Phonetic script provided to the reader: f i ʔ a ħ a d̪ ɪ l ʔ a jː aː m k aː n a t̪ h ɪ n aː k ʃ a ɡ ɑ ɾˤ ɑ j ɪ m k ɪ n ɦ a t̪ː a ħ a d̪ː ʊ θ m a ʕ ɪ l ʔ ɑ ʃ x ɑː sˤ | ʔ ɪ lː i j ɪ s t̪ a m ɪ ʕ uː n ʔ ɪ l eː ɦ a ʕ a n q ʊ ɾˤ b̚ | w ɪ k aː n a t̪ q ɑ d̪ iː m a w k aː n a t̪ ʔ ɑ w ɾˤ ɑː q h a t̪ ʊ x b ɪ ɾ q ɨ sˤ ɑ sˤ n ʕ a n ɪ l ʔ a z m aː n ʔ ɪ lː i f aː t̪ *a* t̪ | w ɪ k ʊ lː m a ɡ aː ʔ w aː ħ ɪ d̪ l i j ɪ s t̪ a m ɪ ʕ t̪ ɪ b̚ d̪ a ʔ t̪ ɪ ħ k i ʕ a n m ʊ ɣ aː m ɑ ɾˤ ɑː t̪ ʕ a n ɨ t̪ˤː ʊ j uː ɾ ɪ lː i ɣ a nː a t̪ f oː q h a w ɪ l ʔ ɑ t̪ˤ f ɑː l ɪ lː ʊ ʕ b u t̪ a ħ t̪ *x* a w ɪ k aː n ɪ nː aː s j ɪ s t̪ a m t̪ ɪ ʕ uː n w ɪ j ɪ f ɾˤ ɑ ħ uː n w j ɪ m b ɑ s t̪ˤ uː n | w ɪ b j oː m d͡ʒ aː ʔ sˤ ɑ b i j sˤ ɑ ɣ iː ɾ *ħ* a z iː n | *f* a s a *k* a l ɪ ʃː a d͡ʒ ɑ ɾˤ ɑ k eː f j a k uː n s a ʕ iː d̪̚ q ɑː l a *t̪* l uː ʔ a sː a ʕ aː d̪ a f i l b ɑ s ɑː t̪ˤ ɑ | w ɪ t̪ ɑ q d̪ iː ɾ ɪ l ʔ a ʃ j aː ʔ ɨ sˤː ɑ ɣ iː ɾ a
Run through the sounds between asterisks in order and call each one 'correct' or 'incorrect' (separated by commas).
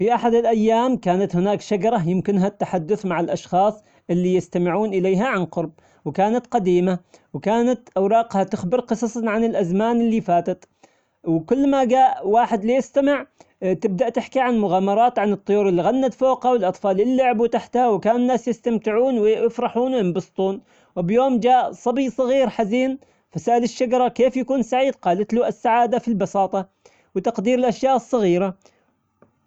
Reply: correct, incorrect, correct, correct, incorrect, correct